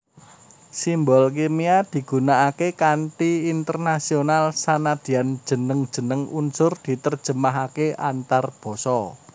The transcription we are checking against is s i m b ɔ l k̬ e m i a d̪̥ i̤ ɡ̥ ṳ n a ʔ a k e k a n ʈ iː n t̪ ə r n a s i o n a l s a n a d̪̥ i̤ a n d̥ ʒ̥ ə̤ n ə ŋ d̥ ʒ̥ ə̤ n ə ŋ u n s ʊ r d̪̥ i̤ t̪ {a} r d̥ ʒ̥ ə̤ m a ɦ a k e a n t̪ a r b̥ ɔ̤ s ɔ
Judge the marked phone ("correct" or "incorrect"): incorrect